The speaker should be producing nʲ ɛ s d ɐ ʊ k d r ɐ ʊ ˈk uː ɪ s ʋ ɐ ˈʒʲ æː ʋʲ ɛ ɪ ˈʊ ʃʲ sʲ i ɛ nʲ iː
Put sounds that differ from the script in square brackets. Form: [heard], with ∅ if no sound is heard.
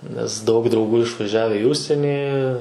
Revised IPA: nʲ ɛ s d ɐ ʊ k d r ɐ ʊ [ˈɡ] uː ɪ [ʃ] ʋ ɐ ˈʒʲ æː ʋʲ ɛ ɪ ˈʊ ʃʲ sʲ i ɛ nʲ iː